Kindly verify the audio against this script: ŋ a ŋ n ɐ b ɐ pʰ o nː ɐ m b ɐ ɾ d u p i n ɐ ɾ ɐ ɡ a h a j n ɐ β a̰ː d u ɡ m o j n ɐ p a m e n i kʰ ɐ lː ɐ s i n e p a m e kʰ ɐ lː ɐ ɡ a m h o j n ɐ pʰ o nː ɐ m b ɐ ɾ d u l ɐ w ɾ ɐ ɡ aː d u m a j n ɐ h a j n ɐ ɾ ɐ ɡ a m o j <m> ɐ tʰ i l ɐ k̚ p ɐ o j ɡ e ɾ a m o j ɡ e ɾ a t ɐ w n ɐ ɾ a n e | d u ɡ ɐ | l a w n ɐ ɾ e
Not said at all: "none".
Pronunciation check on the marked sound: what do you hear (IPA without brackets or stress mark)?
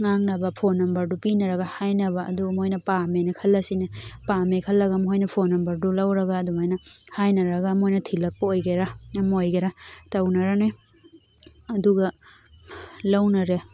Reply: n